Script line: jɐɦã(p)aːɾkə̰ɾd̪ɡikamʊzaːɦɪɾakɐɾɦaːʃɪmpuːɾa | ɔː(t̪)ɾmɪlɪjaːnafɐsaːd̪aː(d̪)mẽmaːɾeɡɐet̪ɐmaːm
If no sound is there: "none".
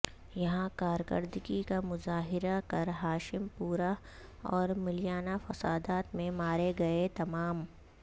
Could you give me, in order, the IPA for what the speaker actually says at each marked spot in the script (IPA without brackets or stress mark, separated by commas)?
k, none, t̪